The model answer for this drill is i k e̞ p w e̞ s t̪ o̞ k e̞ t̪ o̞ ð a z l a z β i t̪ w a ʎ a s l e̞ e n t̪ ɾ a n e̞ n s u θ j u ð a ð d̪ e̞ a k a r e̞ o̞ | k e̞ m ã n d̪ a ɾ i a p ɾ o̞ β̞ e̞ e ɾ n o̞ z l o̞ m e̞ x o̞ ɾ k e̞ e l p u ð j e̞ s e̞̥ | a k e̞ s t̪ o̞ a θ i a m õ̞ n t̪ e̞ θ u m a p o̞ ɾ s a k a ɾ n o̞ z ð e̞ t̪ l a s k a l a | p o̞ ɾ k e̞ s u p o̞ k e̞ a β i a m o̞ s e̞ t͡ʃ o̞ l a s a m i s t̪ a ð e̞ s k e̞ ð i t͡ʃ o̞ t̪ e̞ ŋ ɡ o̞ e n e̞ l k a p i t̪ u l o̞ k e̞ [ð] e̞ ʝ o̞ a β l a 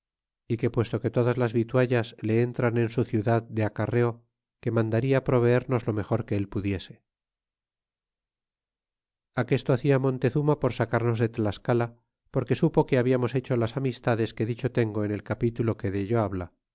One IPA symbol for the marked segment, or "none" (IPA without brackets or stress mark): ð